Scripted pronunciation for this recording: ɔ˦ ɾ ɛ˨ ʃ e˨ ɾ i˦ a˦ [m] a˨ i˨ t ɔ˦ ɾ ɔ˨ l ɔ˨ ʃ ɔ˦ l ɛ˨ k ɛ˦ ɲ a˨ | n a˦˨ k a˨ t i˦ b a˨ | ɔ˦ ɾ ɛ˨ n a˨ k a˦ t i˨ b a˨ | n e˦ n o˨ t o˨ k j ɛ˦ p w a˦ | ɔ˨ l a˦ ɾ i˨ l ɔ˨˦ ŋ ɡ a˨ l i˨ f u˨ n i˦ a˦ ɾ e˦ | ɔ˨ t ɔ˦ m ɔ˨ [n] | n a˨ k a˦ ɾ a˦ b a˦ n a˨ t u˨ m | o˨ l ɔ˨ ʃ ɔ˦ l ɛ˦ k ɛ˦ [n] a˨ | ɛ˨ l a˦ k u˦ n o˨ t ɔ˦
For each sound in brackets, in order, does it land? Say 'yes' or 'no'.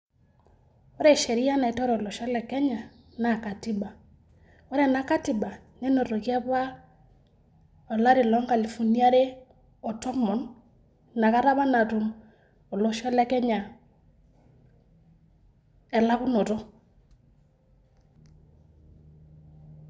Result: no, yes, no

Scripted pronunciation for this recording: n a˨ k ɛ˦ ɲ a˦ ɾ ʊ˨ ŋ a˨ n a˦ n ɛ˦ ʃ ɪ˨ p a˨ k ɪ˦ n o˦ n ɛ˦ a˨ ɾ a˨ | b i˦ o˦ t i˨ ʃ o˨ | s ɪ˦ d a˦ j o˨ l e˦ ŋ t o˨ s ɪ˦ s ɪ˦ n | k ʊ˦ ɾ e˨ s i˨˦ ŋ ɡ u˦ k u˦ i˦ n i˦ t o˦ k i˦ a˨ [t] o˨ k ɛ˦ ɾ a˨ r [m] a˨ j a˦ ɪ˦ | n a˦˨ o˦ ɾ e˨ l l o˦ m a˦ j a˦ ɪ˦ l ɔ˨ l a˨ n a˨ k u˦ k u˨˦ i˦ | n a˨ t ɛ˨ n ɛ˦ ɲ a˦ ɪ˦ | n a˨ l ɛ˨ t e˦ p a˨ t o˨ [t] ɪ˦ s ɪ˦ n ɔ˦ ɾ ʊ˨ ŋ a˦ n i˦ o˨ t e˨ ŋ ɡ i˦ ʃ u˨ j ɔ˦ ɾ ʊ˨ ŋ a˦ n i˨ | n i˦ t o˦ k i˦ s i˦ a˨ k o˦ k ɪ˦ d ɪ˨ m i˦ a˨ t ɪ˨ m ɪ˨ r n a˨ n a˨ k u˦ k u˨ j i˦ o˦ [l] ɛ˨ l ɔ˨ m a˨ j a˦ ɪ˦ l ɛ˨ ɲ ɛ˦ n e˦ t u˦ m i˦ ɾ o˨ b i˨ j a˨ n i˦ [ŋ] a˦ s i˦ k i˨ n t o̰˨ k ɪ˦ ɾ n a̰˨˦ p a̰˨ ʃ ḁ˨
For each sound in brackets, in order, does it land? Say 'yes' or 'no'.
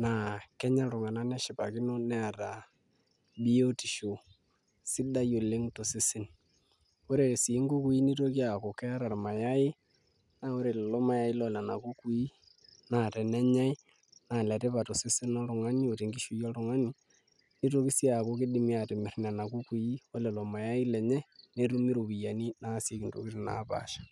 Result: no, yes, no, yes, no

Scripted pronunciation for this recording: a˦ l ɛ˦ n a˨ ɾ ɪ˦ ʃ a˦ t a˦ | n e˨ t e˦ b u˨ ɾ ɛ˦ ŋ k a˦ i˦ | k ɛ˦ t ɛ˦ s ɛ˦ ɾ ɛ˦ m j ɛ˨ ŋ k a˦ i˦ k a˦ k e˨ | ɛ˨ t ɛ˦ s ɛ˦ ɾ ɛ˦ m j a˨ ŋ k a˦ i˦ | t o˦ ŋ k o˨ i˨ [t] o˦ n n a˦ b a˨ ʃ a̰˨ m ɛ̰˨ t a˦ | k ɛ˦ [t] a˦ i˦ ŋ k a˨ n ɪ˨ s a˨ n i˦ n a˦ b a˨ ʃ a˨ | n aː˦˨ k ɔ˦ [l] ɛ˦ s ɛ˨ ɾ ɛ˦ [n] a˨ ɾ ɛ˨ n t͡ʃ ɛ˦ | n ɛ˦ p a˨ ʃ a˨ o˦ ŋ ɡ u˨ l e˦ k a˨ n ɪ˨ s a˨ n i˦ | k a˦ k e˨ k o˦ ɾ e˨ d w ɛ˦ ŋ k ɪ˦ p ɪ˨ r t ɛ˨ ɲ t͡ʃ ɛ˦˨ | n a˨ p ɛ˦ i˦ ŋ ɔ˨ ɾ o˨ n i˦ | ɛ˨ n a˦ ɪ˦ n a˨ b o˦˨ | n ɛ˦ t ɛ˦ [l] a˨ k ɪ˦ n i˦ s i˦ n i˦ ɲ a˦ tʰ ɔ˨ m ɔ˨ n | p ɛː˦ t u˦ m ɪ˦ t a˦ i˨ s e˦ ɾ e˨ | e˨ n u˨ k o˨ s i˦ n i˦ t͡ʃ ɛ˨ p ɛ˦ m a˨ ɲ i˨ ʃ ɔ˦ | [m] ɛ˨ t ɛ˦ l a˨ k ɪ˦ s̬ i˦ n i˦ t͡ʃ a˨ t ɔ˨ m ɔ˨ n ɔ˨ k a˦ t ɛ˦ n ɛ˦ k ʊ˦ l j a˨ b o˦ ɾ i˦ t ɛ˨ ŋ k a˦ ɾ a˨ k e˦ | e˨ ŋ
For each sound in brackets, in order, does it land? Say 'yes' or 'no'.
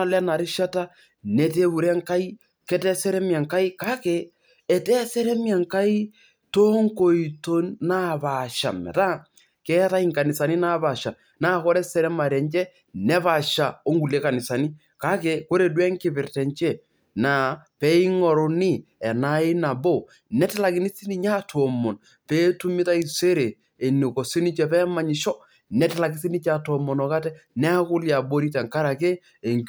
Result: yes, yes, no, no, yes, no

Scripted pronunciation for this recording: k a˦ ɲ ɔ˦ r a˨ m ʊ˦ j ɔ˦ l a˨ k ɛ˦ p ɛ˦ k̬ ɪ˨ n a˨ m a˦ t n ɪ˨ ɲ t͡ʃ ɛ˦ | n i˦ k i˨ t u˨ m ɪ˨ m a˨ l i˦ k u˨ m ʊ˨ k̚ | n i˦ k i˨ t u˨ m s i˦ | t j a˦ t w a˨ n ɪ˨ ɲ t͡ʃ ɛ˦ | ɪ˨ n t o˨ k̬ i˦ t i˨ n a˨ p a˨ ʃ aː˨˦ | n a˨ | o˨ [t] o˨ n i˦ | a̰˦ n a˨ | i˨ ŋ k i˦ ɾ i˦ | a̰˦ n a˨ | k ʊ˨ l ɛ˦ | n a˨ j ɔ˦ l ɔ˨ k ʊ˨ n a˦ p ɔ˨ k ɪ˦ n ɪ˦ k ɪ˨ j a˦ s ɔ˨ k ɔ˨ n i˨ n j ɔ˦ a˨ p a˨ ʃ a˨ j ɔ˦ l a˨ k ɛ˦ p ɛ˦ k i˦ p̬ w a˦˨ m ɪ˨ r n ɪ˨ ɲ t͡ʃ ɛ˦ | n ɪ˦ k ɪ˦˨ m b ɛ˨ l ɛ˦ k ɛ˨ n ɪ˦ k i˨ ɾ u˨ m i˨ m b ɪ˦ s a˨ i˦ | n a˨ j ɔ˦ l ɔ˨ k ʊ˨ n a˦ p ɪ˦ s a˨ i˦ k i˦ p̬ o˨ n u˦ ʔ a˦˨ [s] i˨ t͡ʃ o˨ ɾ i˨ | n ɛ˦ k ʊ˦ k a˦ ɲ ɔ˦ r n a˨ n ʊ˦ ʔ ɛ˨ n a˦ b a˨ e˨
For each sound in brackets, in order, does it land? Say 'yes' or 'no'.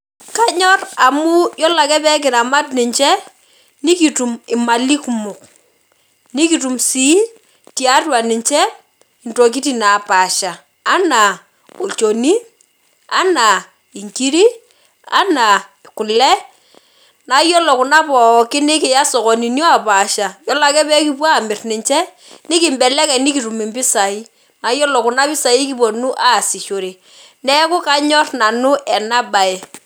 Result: no, yes

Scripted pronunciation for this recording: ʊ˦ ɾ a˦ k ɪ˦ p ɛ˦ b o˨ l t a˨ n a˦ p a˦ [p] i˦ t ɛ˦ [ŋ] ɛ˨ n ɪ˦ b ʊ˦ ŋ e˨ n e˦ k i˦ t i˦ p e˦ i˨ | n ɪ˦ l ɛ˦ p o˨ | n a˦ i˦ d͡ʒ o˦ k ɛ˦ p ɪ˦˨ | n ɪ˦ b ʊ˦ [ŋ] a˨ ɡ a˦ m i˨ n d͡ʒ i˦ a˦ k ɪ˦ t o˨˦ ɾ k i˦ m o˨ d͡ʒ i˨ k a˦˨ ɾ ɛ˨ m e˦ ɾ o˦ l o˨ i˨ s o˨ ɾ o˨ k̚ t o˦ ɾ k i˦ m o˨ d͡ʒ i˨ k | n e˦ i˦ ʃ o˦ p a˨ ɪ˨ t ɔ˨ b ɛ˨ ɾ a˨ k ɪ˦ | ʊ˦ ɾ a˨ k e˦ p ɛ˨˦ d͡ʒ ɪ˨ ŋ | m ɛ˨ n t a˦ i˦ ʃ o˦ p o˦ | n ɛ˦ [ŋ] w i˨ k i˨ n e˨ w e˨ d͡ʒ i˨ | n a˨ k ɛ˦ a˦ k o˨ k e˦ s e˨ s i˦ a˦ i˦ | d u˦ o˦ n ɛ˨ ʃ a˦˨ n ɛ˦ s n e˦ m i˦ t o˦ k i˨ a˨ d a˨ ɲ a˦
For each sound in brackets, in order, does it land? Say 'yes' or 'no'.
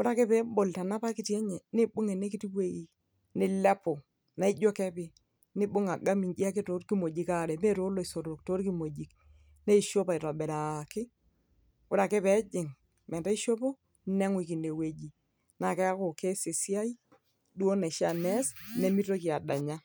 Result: no, no, yes, yes

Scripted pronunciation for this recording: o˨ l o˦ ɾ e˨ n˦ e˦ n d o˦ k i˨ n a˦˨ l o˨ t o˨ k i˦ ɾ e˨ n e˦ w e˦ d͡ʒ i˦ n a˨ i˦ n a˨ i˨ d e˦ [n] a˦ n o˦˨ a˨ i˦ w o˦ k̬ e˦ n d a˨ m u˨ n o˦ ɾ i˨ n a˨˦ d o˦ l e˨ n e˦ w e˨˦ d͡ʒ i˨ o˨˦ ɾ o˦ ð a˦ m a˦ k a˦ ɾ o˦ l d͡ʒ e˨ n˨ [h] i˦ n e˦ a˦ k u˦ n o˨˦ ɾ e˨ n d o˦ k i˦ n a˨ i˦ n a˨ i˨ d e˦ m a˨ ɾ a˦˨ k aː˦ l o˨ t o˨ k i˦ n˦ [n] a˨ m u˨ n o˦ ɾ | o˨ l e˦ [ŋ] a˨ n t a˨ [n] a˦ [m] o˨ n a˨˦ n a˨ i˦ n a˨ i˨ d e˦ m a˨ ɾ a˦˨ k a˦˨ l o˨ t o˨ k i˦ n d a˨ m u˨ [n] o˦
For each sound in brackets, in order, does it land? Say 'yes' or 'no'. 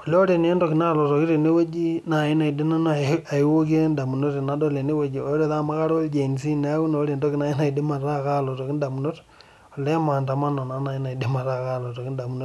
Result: yes, no, no, no, no, no, yes

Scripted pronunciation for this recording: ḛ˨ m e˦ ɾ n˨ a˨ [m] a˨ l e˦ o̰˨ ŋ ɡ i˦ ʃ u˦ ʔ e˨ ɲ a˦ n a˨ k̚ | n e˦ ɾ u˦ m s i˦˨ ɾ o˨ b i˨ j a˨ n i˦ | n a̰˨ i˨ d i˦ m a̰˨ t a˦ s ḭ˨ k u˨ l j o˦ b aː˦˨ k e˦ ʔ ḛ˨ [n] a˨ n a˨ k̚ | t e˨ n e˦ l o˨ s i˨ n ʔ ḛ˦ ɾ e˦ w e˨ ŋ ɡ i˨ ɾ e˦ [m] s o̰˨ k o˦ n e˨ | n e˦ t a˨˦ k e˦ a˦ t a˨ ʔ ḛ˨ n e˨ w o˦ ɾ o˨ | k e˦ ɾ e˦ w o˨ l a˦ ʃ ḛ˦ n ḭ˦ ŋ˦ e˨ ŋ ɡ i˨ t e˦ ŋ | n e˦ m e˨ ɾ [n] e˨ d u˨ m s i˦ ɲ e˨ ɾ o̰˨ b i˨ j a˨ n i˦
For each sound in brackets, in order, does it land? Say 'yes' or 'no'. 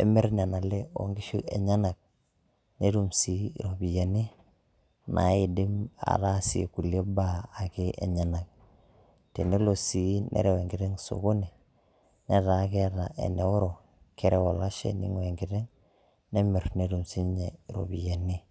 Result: no, no, no, yes

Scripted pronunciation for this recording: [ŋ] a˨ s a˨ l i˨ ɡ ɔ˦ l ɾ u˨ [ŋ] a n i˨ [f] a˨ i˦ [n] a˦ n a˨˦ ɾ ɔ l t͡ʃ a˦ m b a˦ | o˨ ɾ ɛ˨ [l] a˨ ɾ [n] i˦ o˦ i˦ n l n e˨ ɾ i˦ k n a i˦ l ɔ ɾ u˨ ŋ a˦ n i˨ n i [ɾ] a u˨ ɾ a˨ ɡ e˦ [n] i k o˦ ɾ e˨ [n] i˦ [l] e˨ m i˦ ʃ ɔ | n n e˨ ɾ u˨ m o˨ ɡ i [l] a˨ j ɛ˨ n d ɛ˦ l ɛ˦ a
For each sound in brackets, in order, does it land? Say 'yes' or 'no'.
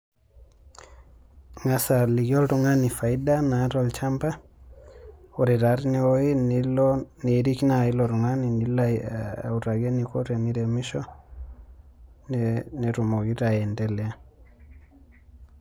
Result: yes, yes, yes, no, no, yes, no, yes, yes, no, no

